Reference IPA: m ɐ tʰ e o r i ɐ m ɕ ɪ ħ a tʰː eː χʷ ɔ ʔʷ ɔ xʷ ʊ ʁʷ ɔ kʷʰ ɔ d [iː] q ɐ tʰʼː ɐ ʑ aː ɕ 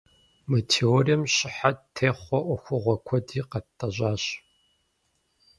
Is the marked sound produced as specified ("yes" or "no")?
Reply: yes